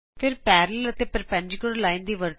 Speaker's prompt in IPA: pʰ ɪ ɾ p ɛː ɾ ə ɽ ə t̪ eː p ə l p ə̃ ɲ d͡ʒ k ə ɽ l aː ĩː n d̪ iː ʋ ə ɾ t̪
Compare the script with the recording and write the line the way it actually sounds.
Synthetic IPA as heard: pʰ ɪ ɾ p ɛː ɾ ə l ə t̪ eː p ə ɾ p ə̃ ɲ d͡ʒ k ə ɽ l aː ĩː n d̪ iː ʋ ə ɾ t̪